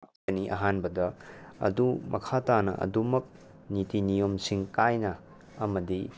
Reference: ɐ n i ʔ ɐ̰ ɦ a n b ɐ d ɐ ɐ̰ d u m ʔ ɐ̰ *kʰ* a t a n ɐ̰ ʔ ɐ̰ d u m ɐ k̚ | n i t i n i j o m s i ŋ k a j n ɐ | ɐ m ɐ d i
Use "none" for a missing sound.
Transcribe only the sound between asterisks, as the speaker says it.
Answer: kʰ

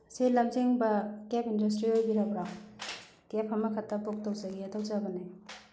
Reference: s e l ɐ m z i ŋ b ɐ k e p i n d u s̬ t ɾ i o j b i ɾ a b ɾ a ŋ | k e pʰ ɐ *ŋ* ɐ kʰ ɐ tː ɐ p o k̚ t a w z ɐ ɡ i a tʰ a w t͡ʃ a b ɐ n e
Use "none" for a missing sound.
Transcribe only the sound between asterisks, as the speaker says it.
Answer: m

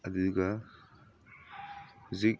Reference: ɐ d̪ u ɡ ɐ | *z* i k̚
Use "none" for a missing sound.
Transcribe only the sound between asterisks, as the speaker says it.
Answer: z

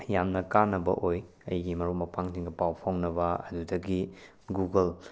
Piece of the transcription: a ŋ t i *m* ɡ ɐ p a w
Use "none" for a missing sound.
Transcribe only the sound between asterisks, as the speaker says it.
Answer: ŋ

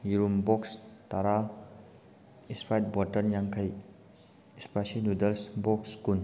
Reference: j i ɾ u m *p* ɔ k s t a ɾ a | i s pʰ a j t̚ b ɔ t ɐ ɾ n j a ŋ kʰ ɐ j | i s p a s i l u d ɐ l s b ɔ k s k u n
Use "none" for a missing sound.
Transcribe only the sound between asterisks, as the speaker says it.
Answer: b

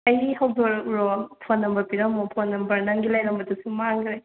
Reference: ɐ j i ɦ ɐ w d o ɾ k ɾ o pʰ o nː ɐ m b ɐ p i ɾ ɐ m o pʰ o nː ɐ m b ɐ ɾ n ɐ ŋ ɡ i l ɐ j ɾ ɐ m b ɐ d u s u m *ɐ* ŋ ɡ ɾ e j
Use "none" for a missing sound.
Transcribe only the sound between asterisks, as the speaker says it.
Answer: a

